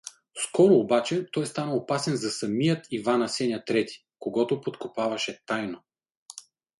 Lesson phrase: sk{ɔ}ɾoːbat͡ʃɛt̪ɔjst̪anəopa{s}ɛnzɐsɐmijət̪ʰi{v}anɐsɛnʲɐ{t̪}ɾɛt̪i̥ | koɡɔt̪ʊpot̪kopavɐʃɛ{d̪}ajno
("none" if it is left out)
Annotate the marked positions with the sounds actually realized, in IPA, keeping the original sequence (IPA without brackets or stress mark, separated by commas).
ɔ, s, v, t̪, t̪